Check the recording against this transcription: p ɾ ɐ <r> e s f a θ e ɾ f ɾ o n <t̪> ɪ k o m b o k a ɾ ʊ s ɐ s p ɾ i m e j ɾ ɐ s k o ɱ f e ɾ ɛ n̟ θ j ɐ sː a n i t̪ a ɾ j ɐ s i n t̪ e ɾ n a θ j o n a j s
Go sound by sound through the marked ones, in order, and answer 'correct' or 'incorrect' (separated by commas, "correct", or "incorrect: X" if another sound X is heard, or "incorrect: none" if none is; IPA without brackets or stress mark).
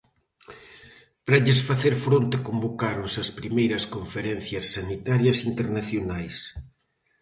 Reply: incorrect: ʎ, correct